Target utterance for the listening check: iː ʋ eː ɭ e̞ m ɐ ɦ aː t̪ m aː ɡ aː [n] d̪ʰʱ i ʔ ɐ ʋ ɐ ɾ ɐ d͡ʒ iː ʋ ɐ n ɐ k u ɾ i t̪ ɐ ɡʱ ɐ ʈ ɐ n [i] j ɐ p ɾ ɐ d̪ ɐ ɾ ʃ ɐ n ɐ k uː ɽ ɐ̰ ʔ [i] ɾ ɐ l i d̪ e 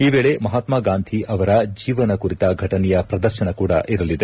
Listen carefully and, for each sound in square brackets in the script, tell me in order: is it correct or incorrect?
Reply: correct, incorrect, correct

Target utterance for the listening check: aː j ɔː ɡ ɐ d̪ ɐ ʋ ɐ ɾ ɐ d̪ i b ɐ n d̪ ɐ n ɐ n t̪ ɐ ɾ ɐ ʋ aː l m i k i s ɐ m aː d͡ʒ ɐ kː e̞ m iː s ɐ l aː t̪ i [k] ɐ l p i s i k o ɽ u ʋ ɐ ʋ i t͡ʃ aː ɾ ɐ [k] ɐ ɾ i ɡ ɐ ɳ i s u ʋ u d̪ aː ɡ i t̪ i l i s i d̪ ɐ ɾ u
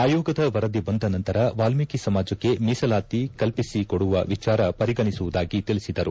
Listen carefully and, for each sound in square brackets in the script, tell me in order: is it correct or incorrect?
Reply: correct, incorrect

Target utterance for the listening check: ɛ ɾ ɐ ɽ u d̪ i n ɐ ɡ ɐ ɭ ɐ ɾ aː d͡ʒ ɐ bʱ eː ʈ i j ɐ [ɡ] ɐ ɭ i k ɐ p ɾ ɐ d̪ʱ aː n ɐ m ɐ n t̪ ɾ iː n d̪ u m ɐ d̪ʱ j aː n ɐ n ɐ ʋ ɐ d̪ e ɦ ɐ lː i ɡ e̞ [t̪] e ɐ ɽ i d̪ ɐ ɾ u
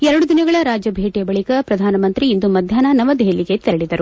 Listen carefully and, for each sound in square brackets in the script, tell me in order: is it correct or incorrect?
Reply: incorrect, correct

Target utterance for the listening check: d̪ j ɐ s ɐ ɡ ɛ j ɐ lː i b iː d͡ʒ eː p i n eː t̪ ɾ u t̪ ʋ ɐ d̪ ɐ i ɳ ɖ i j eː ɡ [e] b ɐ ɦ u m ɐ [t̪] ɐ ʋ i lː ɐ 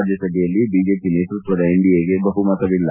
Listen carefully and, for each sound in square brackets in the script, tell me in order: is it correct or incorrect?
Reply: correct, correct

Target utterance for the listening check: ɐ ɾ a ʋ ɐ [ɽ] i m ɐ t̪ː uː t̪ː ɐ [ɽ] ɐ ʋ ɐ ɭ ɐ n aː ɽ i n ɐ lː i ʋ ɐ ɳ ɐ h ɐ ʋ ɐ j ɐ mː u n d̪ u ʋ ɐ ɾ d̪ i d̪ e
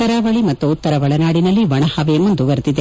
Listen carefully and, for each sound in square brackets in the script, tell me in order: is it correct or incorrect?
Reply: incorrect, incorrect

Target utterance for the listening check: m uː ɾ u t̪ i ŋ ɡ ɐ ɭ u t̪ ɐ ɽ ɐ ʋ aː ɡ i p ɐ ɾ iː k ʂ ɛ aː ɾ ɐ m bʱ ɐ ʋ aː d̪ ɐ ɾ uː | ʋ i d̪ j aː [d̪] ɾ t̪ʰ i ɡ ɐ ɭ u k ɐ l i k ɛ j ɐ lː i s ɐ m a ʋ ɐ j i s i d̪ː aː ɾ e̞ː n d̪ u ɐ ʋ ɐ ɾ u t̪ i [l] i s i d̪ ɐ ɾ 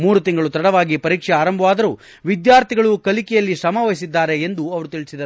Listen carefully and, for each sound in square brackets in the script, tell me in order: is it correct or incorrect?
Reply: incorrect, incorrect

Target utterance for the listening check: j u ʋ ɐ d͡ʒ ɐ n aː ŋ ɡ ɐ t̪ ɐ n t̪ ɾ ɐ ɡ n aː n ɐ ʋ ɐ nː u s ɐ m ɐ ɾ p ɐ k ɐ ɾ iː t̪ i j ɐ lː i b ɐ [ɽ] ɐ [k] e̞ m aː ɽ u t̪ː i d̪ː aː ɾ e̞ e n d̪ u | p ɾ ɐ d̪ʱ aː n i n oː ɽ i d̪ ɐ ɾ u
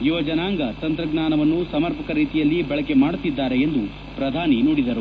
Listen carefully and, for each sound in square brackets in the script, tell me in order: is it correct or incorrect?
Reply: incorrect, correct

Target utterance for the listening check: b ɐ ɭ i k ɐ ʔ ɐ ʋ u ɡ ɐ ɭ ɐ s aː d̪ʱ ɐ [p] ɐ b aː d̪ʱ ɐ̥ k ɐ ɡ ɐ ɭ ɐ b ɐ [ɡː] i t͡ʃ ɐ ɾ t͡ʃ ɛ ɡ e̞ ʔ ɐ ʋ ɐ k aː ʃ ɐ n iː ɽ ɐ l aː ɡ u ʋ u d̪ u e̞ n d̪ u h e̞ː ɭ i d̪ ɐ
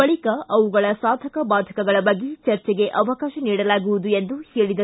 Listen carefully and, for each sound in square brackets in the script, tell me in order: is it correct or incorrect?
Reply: incorrect, correct

